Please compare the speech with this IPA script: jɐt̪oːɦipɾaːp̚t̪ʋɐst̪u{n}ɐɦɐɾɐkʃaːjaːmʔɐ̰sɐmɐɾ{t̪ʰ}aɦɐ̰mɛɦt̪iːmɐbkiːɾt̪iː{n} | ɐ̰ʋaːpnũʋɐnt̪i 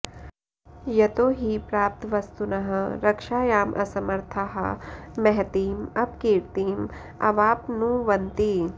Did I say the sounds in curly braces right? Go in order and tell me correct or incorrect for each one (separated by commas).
correct, correct, incorrect